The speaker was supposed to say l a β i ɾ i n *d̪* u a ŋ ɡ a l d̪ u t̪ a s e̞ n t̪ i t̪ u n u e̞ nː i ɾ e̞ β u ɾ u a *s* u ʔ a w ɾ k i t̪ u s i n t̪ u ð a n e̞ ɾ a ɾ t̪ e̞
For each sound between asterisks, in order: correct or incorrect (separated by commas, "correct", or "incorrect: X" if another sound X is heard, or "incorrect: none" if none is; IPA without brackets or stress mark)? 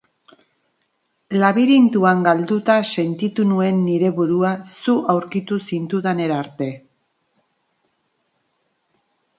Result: incorrect: t̪, correct